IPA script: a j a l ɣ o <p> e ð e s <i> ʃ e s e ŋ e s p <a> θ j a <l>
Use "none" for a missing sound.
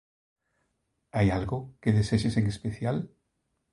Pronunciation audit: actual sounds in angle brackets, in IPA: k, e, e, l

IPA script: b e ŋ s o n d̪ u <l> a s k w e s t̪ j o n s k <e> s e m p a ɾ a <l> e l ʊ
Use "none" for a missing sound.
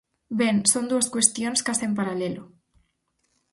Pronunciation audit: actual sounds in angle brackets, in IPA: none, a, l

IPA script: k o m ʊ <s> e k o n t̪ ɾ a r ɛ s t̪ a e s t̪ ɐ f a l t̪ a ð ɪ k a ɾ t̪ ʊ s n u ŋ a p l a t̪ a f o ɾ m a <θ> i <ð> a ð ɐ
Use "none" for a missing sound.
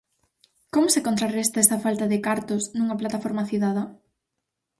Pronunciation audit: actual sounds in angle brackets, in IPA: s, θ, ð

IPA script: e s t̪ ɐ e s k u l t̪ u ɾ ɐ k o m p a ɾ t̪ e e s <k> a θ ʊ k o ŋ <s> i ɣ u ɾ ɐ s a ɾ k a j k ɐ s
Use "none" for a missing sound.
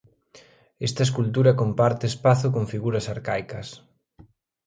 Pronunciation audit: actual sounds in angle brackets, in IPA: p, f

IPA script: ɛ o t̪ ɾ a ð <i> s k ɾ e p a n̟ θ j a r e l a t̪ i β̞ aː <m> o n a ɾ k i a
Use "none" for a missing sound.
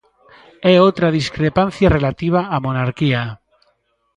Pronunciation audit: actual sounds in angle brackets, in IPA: i, m

